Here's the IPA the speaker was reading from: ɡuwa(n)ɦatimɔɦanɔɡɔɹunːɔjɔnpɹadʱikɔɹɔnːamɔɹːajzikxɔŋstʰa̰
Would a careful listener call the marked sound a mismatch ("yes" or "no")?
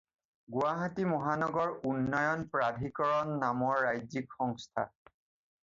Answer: yes